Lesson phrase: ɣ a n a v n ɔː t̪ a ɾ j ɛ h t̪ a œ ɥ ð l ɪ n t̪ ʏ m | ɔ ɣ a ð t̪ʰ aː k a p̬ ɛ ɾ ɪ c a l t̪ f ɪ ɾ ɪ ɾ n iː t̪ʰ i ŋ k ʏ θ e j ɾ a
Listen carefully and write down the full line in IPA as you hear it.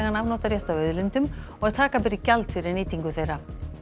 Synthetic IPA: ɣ a n a v n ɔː t̪ a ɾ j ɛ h t̪ a œ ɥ ð l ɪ n t̪ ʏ m | ɔ ɣ a ð t̪ʰ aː k a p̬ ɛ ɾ ɪ c a l t̪ f ɪ ɾ ɪ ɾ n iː t̪ i ŋ k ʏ θ e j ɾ a